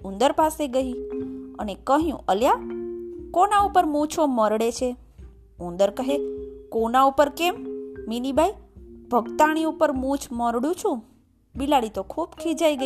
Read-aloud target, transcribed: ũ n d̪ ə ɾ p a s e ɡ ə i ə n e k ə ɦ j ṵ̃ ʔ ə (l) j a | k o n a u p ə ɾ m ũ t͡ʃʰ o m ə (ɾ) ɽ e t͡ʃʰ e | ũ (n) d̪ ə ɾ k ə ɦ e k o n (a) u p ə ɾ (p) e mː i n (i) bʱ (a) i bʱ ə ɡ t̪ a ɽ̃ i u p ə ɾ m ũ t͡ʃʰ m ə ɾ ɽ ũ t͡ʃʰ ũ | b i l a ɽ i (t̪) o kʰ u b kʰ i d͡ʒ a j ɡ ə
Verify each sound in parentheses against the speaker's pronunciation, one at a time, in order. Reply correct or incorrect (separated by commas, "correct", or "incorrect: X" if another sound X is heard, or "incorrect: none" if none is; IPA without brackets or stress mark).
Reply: correct, correct, correct, correct, incorrect: k, correct, correct, correct